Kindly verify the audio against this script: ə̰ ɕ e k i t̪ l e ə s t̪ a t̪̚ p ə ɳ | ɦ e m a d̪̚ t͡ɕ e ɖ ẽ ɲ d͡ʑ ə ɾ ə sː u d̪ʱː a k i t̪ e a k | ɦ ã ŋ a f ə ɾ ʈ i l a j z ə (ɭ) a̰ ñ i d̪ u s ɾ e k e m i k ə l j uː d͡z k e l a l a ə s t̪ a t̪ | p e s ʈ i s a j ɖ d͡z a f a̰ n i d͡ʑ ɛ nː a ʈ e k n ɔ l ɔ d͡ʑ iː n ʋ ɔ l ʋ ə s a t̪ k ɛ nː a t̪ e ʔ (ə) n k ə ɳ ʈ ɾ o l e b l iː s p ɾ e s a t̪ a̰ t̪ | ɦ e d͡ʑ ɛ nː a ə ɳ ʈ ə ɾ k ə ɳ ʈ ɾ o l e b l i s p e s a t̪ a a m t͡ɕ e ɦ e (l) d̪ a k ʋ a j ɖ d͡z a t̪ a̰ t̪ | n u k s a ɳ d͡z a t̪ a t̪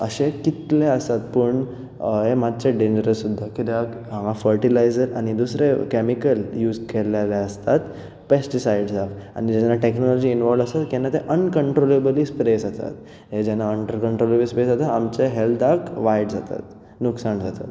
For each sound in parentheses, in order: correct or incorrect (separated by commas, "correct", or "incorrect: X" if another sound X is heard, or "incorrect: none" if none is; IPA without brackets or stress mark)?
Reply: incorrect: ɾ, correct, correct